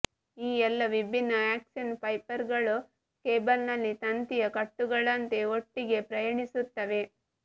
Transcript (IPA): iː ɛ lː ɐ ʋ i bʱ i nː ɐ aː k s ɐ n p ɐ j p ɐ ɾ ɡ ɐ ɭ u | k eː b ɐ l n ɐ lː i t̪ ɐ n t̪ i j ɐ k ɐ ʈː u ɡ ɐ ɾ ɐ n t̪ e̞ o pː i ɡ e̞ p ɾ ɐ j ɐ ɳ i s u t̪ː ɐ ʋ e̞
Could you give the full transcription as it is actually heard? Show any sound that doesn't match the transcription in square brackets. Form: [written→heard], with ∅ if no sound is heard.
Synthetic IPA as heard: iː ɛ lː ɐ ʋ i bʱ i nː ɐ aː k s ɐ n p ɐ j p ɐ ɾ ɡ ɐ ɭ u | k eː b ɐ l n ɐ lː i t̪ ɐ n t̪ i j ɐ k ɐ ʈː u ɡ ɐ [ɾ→ɭ] ɐ n t̪ e̞ o [pː→ʈː] i ɡ e̞ p ɾ ɐ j ɐ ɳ i s u t̪ː ɐ ʋ e̞